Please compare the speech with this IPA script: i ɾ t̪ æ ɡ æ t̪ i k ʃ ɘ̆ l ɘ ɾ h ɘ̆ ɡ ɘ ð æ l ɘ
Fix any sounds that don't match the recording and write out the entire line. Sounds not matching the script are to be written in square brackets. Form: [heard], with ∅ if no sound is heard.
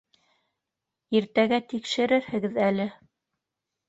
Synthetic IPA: i ɾ t̪ æ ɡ æ t̪ i k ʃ ɘ̆ [ɾ] ɘ ɾ h ɘ̆ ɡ ɘ ð æ l ɘ